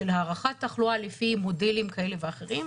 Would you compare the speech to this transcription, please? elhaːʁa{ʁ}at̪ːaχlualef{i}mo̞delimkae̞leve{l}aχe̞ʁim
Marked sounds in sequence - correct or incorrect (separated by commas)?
incorrect, correct, incorrect